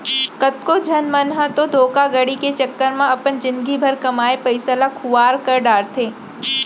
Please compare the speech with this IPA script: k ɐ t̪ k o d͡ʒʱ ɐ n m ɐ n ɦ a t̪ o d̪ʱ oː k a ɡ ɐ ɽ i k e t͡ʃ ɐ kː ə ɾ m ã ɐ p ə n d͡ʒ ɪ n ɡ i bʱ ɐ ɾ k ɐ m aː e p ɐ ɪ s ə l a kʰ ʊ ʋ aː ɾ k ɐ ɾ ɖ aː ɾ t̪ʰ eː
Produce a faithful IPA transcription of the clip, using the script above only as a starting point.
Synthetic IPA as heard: k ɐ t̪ k o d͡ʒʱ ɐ n m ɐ n ɦ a t̪ o d̪ʱ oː k a ɡ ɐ ɽ i k e t͡ʃ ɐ kː ə ɾ m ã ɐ p ə n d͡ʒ ɪ n ɡ i bʱ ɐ ɾ k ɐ m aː e p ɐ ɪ s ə l a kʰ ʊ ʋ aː ɾ k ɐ ɾ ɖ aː ɾ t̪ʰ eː